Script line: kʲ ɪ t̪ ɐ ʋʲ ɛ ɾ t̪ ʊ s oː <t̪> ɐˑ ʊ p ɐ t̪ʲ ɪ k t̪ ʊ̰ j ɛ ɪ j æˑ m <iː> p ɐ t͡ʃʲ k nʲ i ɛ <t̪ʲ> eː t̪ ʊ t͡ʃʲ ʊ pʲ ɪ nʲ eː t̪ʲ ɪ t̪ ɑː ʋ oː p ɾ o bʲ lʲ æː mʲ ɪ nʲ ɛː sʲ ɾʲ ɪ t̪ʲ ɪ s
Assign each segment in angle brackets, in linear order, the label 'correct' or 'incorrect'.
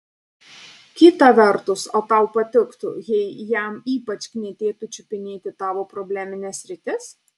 correct, correct, correct

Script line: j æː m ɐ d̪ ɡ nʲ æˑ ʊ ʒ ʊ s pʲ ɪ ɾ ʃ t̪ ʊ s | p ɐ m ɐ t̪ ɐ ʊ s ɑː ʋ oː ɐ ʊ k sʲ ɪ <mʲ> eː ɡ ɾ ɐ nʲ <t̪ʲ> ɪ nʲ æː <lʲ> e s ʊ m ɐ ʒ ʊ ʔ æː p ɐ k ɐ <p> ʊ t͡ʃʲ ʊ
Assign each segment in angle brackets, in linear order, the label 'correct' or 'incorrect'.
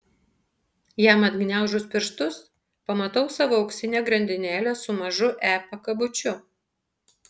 incorrect: nʲ, incorrect: d̪ʲ, correct, incorrect: b

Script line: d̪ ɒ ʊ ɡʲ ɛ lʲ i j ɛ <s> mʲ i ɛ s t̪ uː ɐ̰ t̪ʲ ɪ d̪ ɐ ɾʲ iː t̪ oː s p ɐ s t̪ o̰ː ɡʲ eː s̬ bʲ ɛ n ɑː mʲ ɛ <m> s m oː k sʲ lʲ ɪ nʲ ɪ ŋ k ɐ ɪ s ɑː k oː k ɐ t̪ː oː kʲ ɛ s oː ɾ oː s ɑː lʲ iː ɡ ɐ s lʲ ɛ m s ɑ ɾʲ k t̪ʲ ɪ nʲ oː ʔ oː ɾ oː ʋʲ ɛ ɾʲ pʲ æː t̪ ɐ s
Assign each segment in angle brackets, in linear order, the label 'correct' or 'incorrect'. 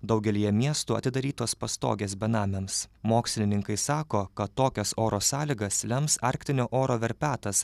incorrect: none, correct

